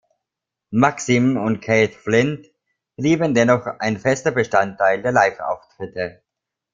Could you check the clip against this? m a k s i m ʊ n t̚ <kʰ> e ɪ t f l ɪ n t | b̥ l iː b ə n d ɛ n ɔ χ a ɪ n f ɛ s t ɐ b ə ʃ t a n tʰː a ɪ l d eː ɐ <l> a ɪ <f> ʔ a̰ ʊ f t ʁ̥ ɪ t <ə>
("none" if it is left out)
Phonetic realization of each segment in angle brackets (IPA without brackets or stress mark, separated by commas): kʰ, l, f, ə